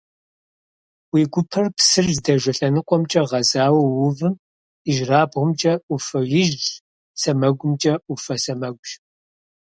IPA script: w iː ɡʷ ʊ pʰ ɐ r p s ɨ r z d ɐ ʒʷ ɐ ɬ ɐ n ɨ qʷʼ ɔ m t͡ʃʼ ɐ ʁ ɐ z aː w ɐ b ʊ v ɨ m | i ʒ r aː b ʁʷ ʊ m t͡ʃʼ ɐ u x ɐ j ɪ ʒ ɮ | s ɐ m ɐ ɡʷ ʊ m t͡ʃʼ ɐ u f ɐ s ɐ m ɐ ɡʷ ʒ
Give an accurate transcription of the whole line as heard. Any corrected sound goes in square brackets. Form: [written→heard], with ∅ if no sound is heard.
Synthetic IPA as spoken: w iː ɡʷ ʊ pʰ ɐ r p s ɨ r z d ɐ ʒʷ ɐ ɬ ɐ n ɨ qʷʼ ɔ m t͡ʃʼ ɐ ʁ ɐ z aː w ɐ [b→w] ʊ v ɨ m | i ʒ r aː b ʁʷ ʊ m t͡ʃʼ ɐ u [x→f] ɐ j ɪ ʒ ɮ | s ɐ m ɐ ɡʷ ʊ m t͡ʃʼ ɐ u f ɐ s ɐ m ɐ ɡʷ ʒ